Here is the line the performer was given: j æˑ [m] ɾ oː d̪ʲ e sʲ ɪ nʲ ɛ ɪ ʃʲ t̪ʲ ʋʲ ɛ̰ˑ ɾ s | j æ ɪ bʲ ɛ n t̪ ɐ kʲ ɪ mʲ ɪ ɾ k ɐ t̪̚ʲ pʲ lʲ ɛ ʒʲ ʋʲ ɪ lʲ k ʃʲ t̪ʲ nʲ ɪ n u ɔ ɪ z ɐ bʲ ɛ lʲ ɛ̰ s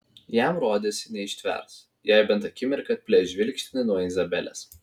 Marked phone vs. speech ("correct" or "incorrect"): correct